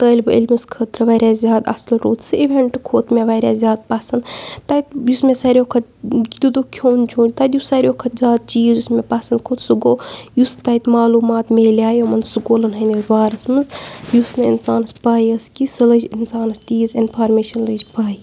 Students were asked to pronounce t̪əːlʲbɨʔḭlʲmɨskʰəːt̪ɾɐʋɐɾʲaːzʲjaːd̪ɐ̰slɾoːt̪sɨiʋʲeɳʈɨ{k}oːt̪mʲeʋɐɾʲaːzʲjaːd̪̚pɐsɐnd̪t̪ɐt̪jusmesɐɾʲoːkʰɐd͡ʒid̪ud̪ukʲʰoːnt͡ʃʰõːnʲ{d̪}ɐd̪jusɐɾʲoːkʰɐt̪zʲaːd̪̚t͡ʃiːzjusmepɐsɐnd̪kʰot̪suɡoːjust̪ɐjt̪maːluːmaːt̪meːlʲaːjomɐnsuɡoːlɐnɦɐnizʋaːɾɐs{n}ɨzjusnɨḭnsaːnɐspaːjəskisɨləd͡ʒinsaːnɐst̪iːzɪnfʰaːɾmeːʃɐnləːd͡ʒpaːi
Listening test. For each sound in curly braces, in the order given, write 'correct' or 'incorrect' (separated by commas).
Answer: incorrect, incorrect, incorrect